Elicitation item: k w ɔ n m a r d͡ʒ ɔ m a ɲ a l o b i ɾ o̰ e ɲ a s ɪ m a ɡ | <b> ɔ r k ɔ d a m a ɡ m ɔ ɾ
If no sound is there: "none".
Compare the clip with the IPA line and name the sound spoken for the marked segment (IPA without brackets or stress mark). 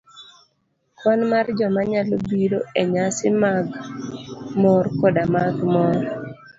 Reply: m